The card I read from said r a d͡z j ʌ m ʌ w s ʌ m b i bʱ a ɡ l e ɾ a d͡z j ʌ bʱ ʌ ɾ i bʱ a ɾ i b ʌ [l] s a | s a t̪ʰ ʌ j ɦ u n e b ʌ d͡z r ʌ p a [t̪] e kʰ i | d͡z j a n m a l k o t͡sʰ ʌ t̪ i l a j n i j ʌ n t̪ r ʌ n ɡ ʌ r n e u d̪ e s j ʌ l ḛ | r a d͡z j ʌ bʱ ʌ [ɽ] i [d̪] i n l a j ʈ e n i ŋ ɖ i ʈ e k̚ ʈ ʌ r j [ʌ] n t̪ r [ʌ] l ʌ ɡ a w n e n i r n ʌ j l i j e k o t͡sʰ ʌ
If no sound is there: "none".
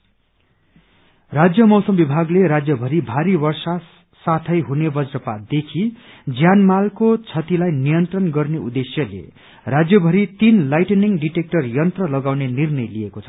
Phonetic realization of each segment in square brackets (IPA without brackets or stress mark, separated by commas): r, d̪, ɾ, t̪, ʌ, ʌ